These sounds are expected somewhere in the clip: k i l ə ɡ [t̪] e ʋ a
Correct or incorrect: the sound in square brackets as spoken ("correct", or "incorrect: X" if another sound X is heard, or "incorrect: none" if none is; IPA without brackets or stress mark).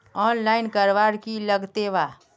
correct